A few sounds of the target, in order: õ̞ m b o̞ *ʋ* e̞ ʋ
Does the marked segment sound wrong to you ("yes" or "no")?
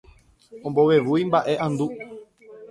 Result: no